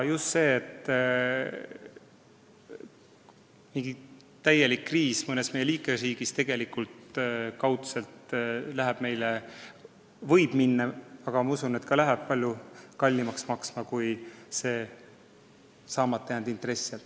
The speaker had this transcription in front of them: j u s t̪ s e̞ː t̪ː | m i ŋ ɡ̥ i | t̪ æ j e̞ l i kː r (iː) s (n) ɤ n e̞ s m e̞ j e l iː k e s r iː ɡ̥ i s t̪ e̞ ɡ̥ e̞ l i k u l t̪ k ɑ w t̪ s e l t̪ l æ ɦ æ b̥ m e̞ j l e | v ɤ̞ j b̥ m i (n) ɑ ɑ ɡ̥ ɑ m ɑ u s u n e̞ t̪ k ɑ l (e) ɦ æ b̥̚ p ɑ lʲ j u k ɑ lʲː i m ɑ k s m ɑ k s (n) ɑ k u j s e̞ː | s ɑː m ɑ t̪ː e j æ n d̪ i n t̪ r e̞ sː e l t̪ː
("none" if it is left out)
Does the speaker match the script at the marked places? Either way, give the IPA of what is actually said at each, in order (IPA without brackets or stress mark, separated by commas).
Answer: iː, m, nː, æ, m